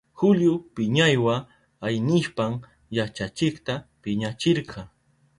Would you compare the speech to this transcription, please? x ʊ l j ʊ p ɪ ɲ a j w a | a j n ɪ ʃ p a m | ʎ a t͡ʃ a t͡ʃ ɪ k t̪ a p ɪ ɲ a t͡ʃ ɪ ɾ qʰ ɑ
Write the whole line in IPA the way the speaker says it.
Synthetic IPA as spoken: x ʊ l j ʊ p ɪ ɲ a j w a | a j n ɪ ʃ p a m | j a t͡ʃ a t͡ʃ ɪ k t̪ a p ɪ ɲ a t͡ʃ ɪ ɾ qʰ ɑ